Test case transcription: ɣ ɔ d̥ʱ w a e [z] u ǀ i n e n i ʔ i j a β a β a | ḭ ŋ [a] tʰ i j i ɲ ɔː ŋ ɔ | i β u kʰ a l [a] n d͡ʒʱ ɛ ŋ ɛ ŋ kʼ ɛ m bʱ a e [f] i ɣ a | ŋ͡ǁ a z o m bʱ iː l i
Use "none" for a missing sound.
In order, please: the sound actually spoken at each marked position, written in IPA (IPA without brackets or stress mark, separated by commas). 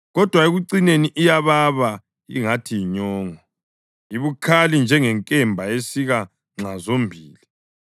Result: ɣ, a, i, s